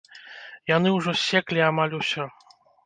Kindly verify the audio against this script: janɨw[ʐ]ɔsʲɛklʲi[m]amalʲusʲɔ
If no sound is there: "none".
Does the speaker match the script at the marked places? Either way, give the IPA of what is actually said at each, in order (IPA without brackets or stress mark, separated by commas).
ʐ, none